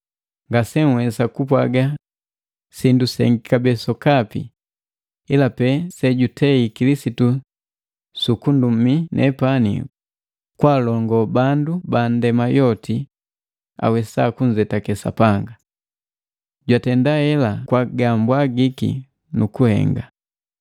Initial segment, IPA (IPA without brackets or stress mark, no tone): ŋ